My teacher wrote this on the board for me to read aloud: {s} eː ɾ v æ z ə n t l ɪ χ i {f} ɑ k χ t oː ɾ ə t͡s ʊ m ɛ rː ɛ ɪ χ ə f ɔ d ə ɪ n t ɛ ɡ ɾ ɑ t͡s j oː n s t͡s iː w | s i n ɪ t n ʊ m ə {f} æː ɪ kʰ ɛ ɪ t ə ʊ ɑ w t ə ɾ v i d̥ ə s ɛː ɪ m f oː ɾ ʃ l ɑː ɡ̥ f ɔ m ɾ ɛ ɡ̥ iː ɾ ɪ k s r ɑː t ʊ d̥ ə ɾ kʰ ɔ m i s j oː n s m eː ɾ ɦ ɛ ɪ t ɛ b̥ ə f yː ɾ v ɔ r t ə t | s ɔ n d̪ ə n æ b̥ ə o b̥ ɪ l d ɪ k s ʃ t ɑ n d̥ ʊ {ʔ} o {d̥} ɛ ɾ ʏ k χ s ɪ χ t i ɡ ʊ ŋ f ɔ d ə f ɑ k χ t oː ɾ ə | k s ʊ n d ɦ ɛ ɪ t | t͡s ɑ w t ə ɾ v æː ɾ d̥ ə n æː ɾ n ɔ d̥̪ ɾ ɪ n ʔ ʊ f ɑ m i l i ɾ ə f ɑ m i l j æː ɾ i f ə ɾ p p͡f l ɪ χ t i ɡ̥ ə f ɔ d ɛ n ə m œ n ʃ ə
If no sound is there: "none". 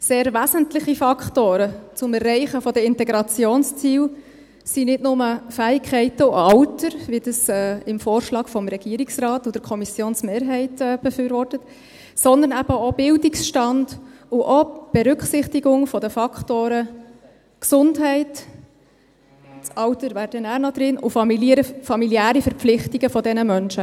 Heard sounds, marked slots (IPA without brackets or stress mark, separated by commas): s, f, f, ʔ, b̥